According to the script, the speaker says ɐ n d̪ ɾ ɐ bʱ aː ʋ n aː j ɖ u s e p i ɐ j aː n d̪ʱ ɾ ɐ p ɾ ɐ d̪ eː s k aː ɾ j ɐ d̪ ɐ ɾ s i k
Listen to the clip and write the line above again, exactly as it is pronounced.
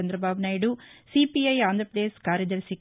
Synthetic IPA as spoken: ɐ n d̪ ɾ ɐ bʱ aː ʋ n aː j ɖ u s i p i ɐ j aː n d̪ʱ ɾ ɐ p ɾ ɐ d̪ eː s k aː ɾ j ɐ d̪ ɐ ɾ s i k